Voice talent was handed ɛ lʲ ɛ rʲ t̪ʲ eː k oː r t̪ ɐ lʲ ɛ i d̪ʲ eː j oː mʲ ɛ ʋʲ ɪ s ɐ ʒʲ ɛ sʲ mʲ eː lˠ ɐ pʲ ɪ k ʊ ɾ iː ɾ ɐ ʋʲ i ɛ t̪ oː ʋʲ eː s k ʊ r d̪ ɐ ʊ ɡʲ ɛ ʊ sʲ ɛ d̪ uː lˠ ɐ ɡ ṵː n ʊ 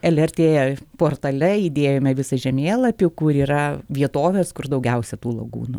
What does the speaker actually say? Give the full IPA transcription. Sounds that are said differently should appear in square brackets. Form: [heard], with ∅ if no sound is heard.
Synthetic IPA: ɛ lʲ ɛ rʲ t̪ʲ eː [p] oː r t̪ ɐ lʲ ɛ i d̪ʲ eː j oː mʲ ɛ ʋʲ ɪ s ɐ ʒʲ ɛ [∅] mʲ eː lˠ ɐ pʲ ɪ k ʊ ɾ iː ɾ ɐ ʋʲ i ɛ t̪ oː ʋʲ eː s k ʊ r d̪ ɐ ʊ ɡʲ ɛ ʊ sʲ ɛ [t̪] uː lˠ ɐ ɡ ṵː n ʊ

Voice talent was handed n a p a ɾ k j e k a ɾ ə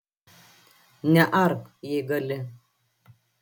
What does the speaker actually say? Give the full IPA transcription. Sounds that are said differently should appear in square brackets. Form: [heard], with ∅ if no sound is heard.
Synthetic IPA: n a [ʔ] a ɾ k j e [ɡ] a [l] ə

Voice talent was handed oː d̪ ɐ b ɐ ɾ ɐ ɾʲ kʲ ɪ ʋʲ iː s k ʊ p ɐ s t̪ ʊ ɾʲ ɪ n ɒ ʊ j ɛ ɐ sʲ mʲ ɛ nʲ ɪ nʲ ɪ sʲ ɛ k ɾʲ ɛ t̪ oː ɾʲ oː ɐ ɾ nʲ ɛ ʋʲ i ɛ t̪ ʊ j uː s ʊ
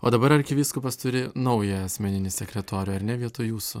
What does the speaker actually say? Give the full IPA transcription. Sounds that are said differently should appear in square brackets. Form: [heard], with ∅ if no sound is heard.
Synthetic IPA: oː d̪ ɐ b ɐ ɾ ɐ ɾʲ kʲ ɪ ʋʲ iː s k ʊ p ɐ s t̪ ʊ ɾʲ ɪ n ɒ ʊ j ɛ ɐ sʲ mʲ ɛ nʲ ɪ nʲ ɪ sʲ ɛ k ɾʲ ɛ t̪ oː ɾʲ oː ɐ ɾ nʲ ɛ ʋʲ i ɛ t̪ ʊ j uː s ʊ

